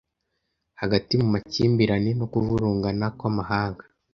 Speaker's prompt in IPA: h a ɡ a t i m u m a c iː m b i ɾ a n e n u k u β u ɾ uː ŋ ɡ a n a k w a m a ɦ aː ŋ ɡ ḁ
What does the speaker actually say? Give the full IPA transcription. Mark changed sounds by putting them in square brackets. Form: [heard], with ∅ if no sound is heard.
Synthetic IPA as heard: h a ɡ a t i m u m a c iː m b i ɾ a n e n [o] k u [v] u ɾ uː ŋ ɡ a n a k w a m a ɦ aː ŋ ɡ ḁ